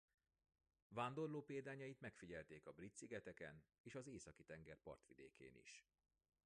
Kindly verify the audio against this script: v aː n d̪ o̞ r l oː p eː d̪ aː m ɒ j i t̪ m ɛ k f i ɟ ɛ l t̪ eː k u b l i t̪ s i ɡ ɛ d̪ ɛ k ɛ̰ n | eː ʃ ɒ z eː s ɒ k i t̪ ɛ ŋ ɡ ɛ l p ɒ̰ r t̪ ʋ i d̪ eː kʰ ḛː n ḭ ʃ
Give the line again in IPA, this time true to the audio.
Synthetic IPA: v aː n d̪ o̞ r l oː p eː d̪ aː ɲ ɒ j i t̪ m ɛ k f i ɟ ɛ l t̪ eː k ɒ b r i t̪ s i ɡ ɛ t̪ ɛ k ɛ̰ n | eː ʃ ɒ z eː s ɒ k i t̪ ɛ ŋ ɡ ɛ r p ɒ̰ r t̪ ʋ i d̪ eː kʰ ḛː n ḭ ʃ